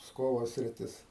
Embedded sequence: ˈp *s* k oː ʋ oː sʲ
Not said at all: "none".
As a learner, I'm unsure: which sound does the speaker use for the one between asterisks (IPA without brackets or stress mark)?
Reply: s